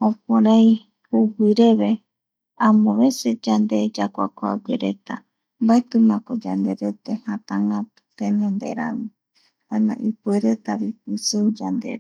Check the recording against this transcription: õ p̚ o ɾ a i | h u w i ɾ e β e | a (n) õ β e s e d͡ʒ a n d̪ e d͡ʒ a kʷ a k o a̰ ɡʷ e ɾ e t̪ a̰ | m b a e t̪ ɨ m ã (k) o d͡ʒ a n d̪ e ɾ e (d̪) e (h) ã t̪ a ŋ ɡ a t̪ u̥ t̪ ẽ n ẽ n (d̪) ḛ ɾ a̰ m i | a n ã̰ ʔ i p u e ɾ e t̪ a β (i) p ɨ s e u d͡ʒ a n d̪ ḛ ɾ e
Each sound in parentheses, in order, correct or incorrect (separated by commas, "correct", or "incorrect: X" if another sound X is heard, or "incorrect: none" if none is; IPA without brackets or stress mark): incorrect: m, correct, incorrect: t̪, correct, correct, correct